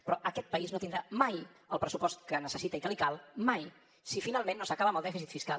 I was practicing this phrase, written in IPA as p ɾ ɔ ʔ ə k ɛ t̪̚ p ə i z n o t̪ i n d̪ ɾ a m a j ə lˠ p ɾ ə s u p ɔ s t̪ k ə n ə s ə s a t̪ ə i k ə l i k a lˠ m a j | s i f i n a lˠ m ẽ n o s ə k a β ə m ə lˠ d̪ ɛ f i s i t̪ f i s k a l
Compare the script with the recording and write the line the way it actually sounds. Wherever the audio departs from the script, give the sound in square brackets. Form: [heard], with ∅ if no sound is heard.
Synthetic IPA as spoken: p ɾ ɔ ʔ ə k ɛ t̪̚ p ə i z n o t̪ i n d̪ ɾ a m a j ə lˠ p ɾ ə s u p ɔ s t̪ k ə n ə s ə s [i] t̪ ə i k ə l i k a lˠ m a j | s i f i n a lˠ m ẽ [nː] o s ə k a β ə m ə lˠ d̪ ɛ f i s i t̪ f i s k a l